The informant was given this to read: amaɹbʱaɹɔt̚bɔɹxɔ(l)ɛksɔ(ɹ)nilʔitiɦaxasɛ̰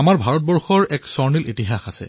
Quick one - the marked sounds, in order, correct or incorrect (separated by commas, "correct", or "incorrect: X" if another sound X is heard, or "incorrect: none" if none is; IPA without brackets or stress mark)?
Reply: incorrect: ɹ, correct